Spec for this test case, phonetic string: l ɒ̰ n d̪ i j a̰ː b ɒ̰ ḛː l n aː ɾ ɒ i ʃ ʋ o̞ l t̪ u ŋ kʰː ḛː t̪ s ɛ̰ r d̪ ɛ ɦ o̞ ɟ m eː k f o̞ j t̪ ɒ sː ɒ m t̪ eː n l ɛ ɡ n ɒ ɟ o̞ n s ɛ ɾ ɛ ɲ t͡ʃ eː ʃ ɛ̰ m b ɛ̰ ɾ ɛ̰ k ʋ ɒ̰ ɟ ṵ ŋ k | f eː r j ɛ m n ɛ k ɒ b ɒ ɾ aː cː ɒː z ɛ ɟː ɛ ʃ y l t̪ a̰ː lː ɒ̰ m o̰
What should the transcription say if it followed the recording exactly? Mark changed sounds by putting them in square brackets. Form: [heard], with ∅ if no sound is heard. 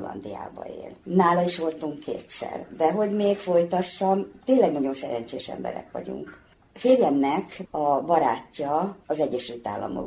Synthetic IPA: l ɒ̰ n d̪ i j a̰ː b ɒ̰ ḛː l n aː [l] ɒ i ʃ ʋ o̞ l t̪ u ŋ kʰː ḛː t̪ s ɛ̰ r d̪ ɛ ɦ o̞ ɟ m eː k f o̞ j t̪ ɒ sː ɒ m t̪ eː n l ɛ ɡ n ɒ ɟ o̞ n s ɛ ɾ ɛ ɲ t͡ʃ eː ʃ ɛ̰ m b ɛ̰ ɾ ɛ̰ k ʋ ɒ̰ ɟ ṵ ŋ k | f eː r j ɛ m n ɛ k ɒ b ɒ ɾ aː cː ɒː z ɛ ɟː ɛ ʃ y l t̪ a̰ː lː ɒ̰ m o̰